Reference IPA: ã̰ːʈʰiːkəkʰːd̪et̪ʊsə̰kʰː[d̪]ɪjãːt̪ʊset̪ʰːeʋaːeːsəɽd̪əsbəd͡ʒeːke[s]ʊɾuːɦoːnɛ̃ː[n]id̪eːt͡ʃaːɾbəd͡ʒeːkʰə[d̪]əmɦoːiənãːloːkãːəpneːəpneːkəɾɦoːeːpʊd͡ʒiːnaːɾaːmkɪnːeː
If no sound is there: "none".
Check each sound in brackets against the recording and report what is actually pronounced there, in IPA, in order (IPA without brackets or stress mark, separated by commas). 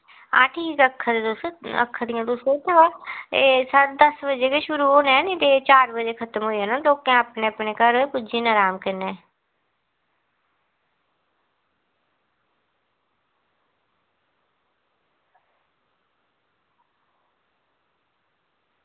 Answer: d̪, ʃ, n, t̪